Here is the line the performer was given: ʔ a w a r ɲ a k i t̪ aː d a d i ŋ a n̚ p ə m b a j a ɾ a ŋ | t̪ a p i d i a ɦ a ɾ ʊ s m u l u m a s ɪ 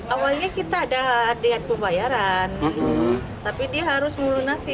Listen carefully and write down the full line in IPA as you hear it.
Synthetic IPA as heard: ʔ a w a l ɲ a k i t̪ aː d a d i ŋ a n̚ p ə m b a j a ɾ a n | t̪ a p i d i a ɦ a ɾ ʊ s m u l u n a s ɪ